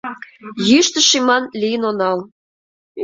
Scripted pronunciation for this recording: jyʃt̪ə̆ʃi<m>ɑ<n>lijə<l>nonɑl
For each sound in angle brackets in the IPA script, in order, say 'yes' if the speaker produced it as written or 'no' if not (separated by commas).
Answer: yes, yes, no